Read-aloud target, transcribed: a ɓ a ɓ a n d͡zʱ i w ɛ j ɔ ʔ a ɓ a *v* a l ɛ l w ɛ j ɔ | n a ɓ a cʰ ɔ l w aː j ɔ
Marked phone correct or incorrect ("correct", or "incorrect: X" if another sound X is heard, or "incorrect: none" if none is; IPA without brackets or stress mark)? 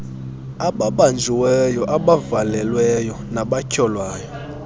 correct